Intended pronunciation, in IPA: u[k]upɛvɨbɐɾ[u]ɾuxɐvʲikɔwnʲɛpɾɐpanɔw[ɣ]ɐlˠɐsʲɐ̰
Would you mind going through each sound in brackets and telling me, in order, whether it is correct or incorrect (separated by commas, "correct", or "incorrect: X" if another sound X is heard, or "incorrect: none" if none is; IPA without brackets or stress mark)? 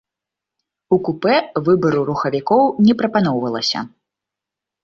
correct, correct, incorrect: v